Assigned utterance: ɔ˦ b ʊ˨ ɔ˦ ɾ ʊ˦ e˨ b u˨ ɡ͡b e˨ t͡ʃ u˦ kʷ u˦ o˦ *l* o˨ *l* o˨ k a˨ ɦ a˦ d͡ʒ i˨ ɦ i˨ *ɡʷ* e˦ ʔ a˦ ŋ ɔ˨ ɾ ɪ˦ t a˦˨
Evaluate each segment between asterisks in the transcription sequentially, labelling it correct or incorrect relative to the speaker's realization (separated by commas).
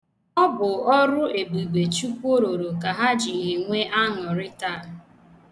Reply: incorrect, incorrect, incorrect